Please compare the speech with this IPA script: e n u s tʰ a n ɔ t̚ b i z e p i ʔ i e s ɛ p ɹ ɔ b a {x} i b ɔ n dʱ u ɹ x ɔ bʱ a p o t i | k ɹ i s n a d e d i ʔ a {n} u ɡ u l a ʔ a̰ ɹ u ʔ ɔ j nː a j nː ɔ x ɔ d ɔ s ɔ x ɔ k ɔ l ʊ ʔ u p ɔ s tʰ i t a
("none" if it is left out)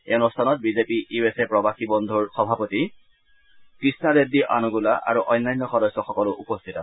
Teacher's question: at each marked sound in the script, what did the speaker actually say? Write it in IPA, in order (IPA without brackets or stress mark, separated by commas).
x, n